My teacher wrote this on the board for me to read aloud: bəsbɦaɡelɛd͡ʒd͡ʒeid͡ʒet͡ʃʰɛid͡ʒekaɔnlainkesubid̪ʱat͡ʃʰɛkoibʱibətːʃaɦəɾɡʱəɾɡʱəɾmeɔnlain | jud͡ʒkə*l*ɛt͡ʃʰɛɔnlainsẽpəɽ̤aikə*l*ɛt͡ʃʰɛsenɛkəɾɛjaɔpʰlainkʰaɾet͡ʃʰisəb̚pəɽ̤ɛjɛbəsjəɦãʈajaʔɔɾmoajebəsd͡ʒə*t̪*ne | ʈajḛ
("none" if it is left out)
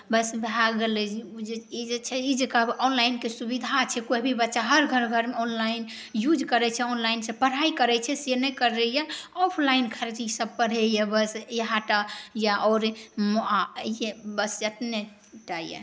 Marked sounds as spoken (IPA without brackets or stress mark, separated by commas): ɾ, ɾ, t̪